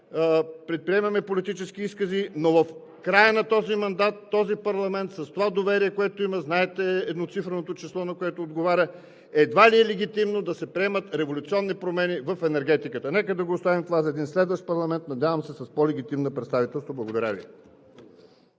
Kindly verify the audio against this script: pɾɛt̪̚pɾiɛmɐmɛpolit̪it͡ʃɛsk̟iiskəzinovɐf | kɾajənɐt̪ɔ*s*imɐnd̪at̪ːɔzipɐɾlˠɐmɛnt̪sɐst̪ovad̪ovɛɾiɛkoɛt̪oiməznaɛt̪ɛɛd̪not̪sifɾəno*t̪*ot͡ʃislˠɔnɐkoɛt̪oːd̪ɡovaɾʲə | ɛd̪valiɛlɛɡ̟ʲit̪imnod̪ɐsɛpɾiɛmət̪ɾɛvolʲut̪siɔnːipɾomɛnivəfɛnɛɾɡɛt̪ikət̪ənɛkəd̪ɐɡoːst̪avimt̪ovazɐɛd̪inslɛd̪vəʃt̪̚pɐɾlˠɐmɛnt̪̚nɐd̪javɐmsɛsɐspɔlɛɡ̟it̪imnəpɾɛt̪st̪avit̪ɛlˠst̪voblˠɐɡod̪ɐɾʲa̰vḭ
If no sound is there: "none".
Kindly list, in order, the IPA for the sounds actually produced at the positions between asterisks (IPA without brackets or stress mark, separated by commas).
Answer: z, t̪